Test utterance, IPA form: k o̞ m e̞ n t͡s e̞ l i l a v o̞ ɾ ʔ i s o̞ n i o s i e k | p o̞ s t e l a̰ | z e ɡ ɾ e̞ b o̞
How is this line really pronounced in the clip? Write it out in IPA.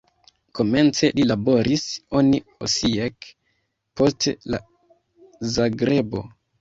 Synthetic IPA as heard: k o̞ m e̞ n t͡s e̞ l i l a b o̞ ɾ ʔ i s o̞ n i o s i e k | p o̞ s t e l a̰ | z a ɡ ɾ e̞ b o̞

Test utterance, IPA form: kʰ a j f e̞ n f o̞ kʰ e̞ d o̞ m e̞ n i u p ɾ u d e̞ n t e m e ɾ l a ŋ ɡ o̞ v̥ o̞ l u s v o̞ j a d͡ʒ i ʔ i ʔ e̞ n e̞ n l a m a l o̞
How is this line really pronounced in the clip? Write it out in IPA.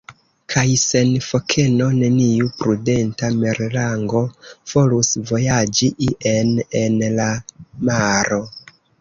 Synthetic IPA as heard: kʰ a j s e̞ n f o̞ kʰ e̞ n o̞ n e̞ n i u p ɾ u d e̞ n t a m e ɾ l a ŋ ɡ o̞ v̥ o̞ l u s v o̞ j a d͡ʒ i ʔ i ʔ e̞ n e̞ n l a m a ɾ o̞

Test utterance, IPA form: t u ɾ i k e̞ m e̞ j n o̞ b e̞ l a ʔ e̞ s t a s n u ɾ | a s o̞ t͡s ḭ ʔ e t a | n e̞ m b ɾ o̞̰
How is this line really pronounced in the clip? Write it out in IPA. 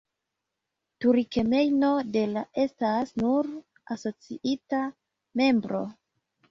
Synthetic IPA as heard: t u ɾ i k e̞ m e̞ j n o̞ d e̞ l a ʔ e̞ s t a s n u ɾ | a s o̞ t͡s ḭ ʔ i t a | m e̞ m b ɾ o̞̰

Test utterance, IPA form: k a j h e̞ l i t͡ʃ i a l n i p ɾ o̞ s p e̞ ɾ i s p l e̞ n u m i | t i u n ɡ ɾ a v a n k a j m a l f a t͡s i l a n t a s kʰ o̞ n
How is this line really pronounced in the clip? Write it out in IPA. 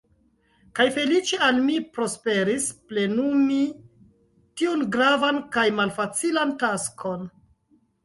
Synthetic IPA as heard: k a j f e̞ l i t͡ʃ e a l m i p ɾ o̞ s p e̞ ɾ i s p l e̞ n u m i | t i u n ɡ ɾ a v a n k a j m a l f a t͡s i l a n t a s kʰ o̞ n

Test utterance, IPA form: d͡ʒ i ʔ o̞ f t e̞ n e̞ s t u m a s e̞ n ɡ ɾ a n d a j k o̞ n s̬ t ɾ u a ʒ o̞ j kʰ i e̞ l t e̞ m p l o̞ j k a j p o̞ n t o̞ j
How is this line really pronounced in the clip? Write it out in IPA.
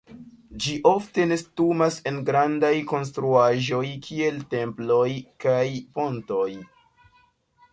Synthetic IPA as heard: d͡ʒ i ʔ o̞ f t e̞ n e̞ s t u m a s e̞ n ɡ ɾ a n d a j k o̞ n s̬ t ɾ u a ʒ o̞ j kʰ i e̞ l t e̞ m p l o̞ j k a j p o̞ n t o̞ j

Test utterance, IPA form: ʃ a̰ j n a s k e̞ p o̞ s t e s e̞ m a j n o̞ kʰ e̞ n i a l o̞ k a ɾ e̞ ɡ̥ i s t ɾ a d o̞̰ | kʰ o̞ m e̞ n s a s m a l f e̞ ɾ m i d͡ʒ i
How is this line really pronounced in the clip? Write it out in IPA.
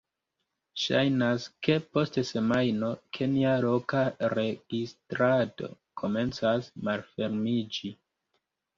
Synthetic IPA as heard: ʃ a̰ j n a s k e̞ p o̞ s t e s e̞ m a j n o̞ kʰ e̞ n i a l o̞ k a ɾ e̞ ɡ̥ i s t ɾ a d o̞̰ | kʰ o̞ m e̞ n t͡s a s m a l f e̞ ɾ m i d͡ʒ i

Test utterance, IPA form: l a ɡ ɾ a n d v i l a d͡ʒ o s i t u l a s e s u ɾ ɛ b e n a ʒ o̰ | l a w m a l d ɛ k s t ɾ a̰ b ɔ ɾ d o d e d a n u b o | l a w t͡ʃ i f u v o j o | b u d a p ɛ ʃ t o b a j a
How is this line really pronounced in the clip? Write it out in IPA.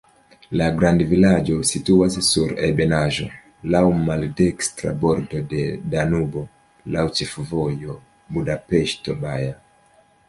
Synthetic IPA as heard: l a ɡ ɾ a n d v i l a d͡ʒ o s i t u a s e s u ɾ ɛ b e n a ʒ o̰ | l a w m a l d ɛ k s t ɾ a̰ b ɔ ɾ d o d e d a n u b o | l a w t͡ʃ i f u v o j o | b u d a p ɛ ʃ t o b a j a

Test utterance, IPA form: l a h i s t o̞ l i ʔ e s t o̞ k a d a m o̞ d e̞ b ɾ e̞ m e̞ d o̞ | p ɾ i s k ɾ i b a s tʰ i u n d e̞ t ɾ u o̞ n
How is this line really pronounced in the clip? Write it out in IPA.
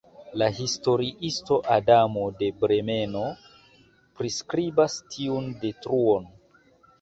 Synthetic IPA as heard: l a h i s t o̞ ɾ i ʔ i s t o̞ ʔ a d a m o̞ d e̞ b ɾ e̞ m e̞ n o̞ | p ɾ i s k ɾ i b a s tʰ i u n d e̞ t ɾ u o̞ n

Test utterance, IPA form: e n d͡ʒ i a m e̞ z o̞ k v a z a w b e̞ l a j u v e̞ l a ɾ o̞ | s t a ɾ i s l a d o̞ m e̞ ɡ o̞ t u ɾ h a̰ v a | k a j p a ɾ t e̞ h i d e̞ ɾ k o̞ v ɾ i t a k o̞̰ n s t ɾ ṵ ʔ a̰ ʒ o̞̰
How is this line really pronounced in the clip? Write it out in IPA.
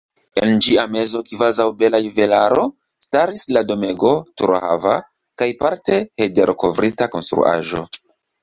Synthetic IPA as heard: e n d͡ʒ i a m e̞ z o̞ k v a z a w b e̞ l a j u v e̞ l a ɾ o̞ | s t a ɾ i s l a d o̞ m e̞ ɡ o̞ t u ɾ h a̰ v a | k a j p a ɾ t e̞ h e d e̞ ɾ k o̞ v ɾ i t a k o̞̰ n s t ɾ ṵ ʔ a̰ ʒ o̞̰

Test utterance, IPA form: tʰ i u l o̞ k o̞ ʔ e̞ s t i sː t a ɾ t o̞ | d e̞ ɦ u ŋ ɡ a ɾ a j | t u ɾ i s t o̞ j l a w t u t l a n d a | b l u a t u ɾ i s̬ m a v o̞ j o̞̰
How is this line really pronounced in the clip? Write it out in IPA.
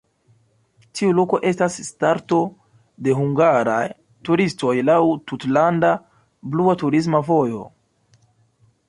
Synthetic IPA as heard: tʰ i u l o̞ k o̞ ʔ e̞ s t a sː t a ɾ t o̞ | d e̞ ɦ u ŋ ɡ a ɾ a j | t u ɾ i s t o̞ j l a w t u t l a n d a | b l u a t u ɾ i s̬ m a v o̞ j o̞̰

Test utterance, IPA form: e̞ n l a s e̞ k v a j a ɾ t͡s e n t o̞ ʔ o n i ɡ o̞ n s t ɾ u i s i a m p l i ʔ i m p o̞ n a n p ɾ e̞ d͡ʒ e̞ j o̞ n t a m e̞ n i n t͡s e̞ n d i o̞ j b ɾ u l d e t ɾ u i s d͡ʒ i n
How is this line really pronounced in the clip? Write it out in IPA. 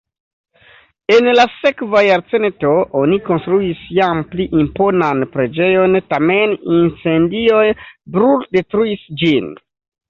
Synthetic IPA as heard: e̞ n l a s e̞ k v a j a ɾ t͡s e n t o̞ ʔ o n i k o̞ n s t ɾ u i s j a m p l i ʔ i m p o̞ n a n p ɾ e̞ d͡ʒ e̞ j o̞ n t a m e̞ n i n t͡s e̞ n d i o̞ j b ɾ u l d e t ɾ u i s d͡ʒ i n

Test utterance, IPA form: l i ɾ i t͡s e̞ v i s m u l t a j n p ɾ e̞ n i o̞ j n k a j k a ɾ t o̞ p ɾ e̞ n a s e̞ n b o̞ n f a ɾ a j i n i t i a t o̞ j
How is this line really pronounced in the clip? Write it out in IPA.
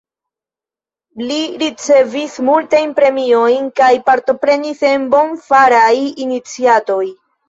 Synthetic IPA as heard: l i ɾ i t͡s e̞ v i s m u l t a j n p ɾ e̞ m i o̞ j n k a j p a ɾ t o̞ p ɾ e̞ n i s e̞ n b o̞ n f a ɾ a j i n i t͡s i a t o̞ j

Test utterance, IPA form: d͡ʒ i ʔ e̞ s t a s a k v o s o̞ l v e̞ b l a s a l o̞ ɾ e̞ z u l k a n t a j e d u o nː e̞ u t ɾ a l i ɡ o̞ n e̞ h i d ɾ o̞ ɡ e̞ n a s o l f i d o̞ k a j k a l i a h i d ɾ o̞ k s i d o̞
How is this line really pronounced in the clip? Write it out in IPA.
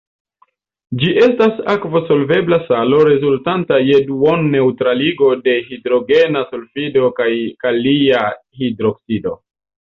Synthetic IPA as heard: d͡ʒ i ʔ e̞ s t a s a k v o s o̞ l v e̞ b l a s a l o̞ ɾ e̞ z u l t a n t a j e d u o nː e̞ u t ɾ a l i ɡ o̞ d e̞ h i d ɾ o̞ ɡ e̞ n a s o l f i d o̞ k a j k a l i a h i d ɾ o̞ k s i d o̞

